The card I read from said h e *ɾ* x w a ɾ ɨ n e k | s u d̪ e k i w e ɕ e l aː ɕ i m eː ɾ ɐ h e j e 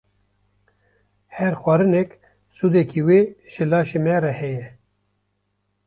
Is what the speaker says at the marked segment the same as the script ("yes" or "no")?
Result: yes